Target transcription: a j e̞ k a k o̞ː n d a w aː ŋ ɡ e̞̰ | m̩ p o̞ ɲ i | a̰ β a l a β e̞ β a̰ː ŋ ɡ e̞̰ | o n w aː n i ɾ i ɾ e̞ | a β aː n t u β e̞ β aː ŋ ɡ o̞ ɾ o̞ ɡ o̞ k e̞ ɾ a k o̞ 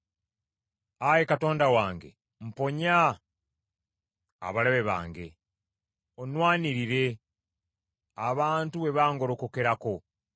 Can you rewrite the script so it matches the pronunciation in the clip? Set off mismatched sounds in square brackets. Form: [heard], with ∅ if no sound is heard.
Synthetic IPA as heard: a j e̞ k a [t] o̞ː n d a w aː ŋ ɡ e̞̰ | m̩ p o̞ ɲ [a] | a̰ β a l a β e̞ β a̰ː ŋ ɡ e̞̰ | o n w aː n i ɾ i ɾ e̞ | a β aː n t u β e̞ β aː ŋ ɡ o̞ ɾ o̞ [k] o̞ k e̞ ɾ a k o̞